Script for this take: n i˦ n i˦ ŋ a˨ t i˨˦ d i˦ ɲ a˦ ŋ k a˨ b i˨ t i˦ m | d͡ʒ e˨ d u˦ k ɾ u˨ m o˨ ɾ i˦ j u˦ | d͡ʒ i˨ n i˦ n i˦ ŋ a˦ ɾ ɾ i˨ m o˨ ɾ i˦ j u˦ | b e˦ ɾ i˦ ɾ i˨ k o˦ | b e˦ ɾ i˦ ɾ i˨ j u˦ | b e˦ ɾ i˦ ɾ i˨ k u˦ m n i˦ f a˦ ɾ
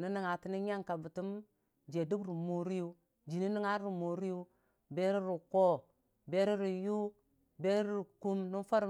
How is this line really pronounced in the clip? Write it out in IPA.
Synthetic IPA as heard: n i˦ n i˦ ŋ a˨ t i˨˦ n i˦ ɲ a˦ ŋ k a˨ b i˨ t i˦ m | d͡ʒ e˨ d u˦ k ɾ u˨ m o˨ ɾ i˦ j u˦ | d͡ʒ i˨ n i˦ n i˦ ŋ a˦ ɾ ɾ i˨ m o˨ ɾ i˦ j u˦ | b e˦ ɾ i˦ ɾ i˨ k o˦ | b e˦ ɾ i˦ ɾ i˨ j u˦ | b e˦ ɾ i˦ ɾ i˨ k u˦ m n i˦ f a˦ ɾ